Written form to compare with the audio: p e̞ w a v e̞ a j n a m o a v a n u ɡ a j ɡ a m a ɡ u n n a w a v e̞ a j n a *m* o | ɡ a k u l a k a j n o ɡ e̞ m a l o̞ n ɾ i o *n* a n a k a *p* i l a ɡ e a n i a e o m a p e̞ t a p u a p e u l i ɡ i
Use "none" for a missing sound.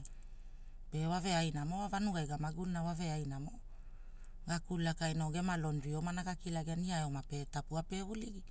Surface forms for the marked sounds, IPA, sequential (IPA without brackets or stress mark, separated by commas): m, m, k